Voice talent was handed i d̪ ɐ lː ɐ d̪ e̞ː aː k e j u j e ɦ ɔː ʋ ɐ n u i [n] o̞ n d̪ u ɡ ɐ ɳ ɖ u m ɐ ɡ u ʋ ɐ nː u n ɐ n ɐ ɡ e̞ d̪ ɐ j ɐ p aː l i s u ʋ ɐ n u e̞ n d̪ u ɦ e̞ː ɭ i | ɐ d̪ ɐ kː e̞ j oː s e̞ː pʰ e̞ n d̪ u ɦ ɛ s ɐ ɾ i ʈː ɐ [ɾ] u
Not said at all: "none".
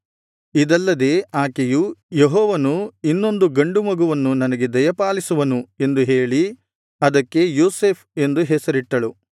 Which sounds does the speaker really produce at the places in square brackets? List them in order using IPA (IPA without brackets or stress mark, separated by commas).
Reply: nː, ɭ